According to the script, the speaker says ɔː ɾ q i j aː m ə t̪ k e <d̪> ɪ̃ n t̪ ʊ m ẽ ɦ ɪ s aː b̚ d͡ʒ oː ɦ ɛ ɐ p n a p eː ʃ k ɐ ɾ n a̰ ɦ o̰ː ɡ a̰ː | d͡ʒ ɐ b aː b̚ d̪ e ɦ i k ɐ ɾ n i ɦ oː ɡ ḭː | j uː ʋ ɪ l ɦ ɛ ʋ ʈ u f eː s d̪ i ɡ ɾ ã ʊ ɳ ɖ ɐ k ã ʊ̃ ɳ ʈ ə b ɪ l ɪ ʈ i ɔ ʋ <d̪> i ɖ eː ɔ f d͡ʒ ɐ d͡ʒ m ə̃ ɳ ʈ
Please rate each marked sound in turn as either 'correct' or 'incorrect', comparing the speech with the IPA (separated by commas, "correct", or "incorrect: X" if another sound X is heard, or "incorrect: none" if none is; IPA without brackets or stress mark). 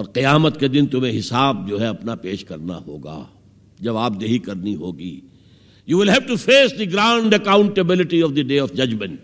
correct, correct